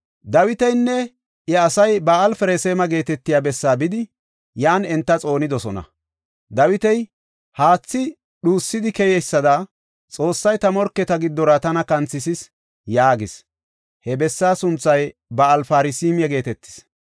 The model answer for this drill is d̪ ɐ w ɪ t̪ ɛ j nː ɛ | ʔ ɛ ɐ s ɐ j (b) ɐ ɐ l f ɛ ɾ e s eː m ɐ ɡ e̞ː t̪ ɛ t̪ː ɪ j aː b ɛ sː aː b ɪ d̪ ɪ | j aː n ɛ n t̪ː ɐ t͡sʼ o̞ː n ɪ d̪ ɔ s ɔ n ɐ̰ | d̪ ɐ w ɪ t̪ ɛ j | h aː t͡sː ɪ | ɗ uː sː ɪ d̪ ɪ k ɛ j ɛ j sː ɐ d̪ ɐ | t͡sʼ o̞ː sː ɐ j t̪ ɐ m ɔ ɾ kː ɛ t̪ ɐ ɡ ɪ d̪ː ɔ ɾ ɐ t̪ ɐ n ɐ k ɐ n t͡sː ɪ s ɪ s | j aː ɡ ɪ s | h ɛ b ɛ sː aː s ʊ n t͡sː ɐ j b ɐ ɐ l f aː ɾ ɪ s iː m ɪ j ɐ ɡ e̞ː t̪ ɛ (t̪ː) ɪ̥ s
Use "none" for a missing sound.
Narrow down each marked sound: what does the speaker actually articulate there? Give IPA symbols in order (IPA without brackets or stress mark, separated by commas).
b, t̪ː